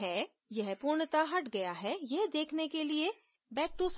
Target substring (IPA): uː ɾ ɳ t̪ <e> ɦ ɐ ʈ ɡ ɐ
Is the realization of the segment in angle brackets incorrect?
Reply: yes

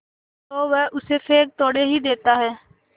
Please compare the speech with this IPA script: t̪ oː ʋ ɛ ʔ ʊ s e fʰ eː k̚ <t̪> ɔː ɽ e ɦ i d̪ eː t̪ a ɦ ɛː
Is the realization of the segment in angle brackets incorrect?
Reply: no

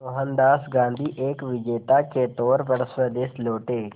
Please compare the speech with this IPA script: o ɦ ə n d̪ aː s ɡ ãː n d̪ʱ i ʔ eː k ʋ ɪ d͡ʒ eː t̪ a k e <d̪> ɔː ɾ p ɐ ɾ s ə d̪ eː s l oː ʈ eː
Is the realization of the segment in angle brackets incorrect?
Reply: yes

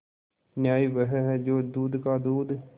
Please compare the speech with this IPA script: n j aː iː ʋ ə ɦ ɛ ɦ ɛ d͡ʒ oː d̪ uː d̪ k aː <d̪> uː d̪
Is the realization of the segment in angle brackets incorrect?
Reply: no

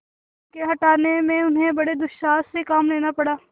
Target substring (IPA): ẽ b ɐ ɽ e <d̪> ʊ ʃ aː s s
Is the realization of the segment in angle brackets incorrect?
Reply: no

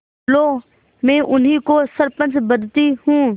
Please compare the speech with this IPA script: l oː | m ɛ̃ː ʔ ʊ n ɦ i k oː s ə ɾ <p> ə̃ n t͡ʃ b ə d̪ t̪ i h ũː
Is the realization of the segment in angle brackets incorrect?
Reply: no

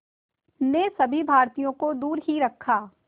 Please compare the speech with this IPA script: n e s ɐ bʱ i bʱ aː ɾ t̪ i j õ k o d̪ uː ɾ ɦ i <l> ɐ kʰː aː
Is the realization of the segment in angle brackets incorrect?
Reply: yes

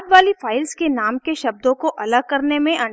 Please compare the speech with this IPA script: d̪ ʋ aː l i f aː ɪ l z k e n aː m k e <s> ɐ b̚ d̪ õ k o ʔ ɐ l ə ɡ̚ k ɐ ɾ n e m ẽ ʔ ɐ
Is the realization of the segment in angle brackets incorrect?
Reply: yes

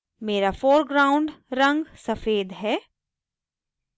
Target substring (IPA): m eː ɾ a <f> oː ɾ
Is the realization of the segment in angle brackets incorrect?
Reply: no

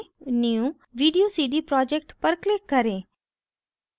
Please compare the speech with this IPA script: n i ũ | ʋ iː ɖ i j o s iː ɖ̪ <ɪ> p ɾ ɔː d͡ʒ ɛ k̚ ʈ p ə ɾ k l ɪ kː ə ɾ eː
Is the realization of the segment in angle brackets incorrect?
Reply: yes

